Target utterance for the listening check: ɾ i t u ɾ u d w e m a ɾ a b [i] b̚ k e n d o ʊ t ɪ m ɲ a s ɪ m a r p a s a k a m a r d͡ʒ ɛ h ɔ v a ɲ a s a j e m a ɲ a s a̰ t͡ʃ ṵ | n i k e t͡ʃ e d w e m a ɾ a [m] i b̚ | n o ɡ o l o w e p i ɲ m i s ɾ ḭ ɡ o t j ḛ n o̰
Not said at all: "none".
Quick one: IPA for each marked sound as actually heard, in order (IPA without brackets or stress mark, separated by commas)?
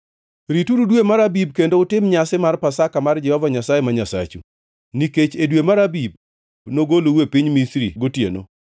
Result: i, b